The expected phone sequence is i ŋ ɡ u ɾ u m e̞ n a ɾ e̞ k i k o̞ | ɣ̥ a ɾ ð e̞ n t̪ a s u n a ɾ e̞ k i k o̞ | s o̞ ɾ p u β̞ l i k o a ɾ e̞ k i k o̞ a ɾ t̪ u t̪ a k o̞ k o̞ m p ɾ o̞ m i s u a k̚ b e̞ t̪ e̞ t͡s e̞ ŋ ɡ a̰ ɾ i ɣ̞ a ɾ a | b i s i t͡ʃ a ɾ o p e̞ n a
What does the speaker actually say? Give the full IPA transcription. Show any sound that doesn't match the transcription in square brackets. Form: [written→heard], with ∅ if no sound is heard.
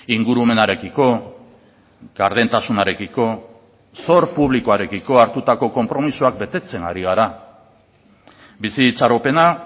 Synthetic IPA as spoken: i ŋ ɡ u ɾ u m e̞ n a ɾ e̞ k i k o̞ | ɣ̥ a ɾ ð e̞ n t̪ a s u n a ɾ e̞ k i k o̞ | s o̞ ɾ p u β̞ l i k o a ɾ e̞ k i k o̞ a ɾ t̪ u t̪ a k o̞ k o̞ m p ɾ o̞ m i s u a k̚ b e̞ t̪ e̞ t͡s e̞ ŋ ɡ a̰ ɾ i ɣ̞ a ɾ a | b i s i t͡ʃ a ɾ o p e̞ n a